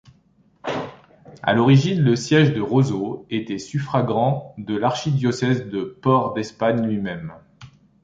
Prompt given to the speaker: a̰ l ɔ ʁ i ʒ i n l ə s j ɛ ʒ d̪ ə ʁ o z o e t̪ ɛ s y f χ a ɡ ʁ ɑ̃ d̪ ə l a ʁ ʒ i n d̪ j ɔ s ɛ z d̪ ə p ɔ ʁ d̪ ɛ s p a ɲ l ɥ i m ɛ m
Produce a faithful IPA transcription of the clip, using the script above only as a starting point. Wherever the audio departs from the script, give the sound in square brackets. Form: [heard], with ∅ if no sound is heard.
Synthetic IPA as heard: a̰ l ɔ ʁ i ʒ i n l ə s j ɛ ʒ d̪ ə ʁ o z o e t̪ ɛ s y f χ a ɡ ʁ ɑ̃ d̪ ə l a ʁ [ʃ] i [∅] d̪ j ɔ s ɛ z d̪ ə p ɔ ʁ d̪ ɛ s p a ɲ l ɥ i m ɛ m